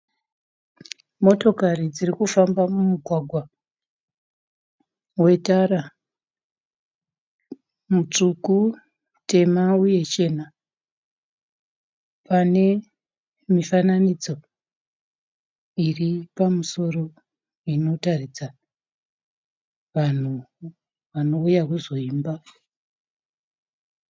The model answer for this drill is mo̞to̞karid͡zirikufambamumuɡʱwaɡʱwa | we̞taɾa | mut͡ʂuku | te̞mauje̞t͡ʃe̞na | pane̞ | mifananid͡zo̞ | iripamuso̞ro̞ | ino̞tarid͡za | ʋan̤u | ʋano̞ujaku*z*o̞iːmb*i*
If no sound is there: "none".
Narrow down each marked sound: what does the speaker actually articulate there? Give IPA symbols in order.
z, a

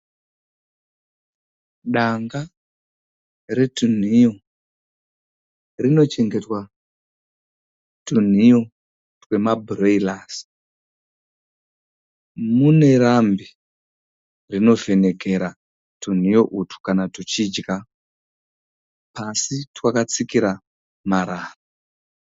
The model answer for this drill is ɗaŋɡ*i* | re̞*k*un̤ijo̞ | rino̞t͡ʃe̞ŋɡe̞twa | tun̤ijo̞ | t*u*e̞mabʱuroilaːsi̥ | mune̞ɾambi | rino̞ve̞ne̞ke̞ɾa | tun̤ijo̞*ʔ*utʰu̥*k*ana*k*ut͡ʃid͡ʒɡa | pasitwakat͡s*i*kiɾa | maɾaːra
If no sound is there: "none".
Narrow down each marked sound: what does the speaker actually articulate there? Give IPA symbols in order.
a, t, w, ʔ, k, t, i

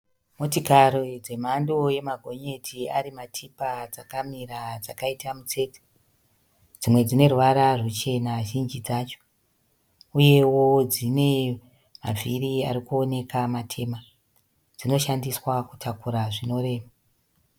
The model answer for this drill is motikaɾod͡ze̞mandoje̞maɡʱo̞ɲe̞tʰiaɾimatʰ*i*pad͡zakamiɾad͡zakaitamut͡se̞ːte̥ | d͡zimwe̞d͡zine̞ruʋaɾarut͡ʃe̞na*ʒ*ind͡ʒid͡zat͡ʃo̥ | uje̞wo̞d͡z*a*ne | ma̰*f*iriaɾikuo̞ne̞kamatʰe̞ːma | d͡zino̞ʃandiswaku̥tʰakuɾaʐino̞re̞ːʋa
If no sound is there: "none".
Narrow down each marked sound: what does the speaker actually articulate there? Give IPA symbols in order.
i, ʒ, i, v

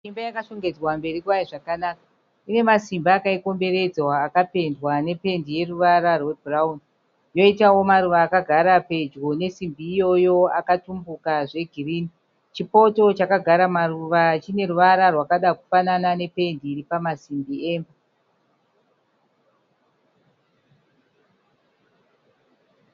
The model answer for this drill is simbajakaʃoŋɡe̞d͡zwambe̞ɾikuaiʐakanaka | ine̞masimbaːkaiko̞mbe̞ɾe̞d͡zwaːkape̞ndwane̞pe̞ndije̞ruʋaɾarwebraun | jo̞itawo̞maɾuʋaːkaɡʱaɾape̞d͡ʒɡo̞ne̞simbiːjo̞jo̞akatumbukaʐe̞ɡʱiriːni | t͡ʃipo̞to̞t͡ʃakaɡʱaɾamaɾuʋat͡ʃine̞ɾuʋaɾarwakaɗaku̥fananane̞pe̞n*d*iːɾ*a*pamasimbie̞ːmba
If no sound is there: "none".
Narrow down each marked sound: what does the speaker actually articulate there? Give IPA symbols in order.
d, i

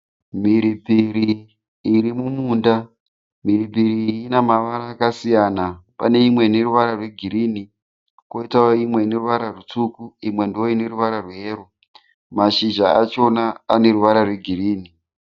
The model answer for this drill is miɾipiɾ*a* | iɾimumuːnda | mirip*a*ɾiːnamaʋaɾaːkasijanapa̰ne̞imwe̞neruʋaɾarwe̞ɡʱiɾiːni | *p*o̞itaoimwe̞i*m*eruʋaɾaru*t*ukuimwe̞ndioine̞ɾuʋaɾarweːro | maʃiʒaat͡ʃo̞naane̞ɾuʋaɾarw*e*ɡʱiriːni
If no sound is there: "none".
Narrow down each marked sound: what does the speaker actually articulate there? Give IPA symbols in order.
i, i, k, n, t͡s, e

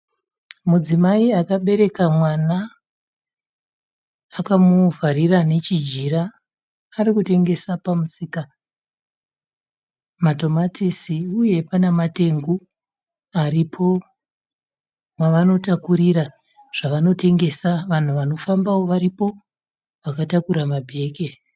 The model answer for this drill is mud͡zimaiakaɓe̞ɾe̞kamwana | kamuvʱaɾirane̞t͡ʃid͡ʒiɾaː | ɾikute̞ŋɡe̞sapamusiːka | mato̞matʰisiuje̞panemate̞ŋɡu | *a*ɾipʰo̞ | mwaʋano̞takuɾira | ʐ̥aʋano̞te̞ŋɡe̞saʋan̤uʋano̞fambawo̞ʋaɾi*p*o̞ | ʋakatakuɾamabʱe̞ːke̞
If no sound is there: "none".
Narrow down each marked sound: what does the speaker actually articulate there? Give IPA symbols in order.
a, p

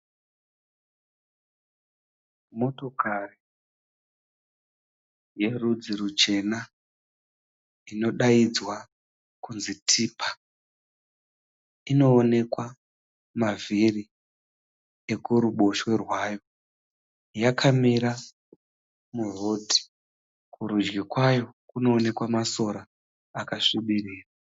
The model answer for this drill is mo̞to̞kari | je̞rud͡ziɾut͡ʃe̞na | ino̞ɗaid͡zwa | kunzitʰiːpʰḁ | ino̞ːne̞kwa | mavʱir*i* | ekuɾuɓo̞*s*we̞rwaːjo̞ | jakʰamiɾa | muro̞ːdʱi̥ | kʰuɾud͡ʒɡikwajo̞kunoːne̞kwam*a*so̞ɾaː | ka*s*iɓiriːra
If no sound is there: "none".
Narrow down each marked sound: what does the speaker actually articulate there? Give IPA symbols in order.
i, ʃ, a, ʂ

